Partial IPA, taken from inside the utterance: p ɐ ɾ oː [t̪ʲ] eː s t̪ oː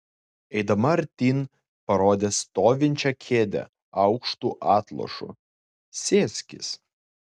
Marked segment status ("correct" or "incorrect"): incorrect